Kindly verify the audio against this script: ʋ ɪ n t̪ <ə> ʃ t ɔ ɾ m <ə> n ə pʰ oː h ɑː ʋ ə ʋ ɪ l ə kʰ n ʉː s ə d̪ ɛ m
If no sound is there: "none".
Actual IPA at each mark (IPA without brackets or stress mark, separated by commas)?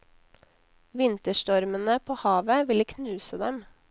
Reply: ə, ə